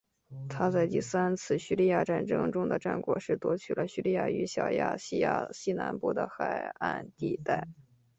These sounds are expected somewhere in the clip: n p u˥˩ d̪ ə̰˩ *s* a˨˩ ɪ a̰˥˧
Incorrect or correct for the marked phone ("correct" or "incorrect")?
incorrect